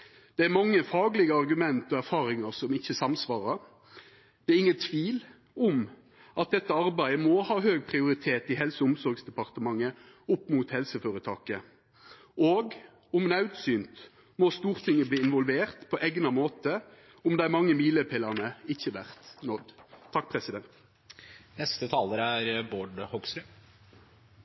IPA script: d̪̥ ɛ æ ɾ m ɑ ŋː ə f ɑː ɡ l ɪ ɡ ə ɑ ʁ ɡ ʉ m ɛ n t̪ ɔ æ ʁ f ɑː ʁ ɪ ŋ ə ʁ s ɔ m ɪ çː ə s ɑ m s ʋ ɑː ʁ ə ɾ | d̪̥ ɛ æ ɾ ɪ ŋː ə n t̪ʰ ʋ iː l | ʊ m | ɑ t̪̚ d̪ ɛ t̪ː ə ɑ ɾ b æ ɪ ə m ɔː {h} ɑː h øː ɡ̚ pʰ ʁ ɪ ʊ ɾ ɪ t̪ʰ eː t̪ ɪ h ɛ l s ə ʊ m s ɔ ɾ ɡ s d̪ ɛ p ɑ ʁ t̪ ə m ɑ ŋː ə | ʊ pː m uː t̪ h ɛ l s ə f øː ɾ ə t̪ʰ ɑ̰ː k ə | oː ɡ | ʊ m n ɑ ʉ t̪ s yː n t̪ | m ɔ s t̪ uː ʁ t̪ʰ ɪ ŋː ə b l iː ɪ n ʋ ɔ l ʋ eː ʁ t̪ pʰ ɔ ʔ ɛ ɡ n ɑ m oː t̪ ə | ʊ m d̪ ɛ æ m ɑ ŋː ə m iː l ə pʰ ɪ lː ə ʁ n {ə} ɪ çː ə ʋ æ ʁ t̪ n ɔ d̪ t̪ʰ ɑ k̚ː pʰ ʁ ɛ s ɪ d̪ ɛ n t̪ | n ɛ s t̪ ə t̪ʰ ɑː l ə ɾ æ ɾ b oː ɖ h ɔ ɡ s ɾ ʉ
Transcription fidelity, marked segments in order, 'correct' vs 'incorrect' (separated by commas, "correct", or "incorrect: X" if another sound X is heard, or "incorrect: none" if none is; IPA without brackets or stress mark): correct, correct